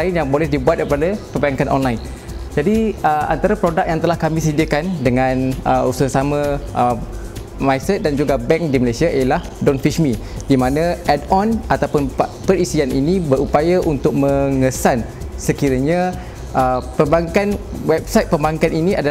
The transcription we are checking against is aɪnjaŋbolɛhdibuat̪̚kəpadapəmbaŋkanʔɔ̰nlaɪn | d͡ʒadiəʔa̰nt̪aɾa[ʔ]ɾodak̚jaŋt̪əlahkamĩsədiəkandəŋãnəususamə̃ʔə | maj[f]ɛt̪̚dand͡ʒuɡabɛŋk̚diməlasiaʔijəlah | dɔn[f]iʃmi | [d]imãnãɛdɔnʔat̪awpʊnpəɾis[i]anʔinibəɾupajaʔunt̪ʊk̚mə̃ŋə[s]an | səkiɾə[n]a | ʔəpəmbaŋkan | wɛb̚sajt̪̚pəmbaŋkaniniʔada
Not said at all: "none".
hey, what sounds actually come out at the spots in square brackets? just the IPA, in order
p, s, f, d, i, s, ɲ

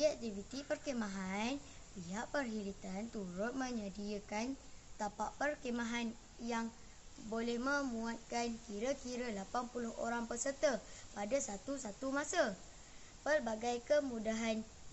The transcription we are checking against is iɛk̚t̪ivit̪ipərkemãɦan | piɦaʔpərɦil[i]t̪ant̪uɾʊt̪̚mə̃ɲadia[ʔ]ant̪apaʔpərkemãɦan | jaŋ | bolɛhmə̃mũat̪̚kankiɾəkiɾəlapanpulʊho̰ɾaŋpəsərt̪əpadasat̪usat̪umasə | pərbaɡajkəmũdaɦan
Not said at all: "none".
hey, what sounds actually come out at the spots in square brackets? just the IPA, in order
i, k

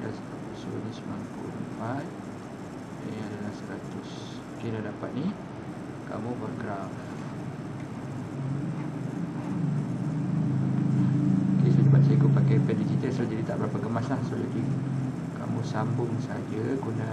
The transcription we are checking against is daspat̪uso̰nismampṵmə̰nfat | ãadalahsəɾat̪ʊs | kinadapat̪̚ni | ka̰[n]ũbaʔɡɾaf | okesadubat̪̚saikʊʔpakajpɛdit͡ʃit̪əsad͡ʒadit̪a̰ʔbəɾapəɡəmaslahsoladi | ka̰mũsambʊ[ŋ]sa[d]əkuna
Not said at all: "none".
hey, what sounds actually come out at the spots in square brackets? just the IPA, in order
m, ŋ, d͡ʒ

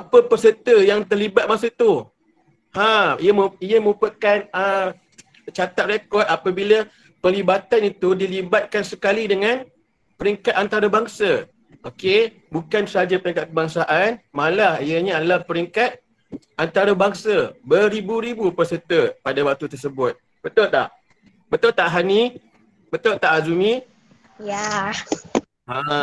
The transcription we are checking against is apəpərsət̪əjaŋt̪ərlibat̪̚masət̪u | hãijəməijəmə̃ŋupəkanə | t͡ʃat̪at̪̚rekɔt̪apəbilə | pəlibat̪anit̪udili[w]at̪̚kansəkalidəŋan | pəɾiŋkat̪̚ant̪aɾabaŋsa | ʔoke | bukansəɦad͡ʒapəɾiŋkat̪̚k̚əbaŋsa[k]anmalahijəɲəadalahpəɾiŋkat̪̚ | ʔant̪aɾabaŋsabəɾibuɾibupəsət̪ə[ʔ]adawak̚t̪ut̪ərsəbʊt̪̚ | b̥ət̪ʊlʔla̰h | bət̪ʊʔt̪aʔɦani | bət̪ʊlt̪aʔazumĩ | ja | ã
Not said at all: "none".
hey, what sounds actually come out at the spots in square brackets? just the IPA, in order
b, ʔ, p

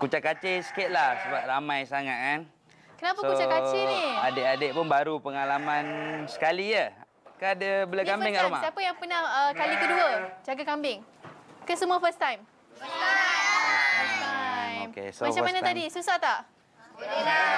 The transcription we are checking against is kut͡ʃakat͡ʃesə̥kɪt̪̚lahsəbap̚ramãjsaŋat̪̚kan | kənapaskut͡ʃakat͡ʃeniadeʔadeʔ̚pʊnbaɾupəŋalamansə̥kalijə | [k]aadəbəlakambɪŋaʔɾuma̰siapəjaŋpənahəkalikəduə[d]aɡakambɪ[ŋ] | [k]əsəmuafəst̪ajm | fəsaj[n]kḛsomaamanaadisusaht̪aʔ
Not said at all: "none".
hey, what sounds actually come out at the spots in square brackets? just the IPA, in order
k, d͡ʒ, ŋ, k, m

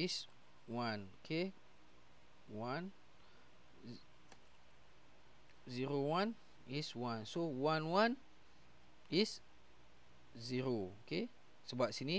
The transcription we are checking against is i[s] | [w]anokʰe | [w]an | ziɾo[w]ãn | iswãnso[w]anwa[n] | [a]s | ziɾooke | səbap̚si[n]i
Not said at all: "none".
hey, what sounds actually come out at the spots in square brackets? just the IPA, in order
s, w, w, w, w, n, i, n

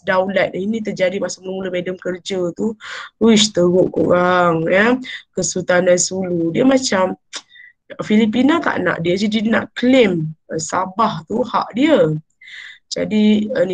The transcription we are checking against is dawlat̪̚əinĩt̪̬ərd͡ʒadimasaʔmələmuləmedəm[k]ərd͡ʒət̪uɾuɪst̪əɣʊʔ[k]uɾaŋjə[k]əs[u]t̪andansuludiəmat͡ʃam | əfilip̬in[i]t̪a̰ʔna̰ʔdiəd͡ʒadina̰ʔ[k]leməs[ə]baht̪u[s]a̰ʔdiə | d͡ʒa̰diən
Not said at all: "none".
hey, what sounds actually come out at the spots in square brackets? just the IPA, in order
k, k, k, u, a, k, a, h

